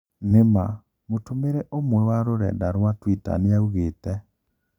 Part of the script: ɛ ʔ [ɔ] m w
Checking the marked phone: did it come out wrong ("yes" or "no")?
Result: yes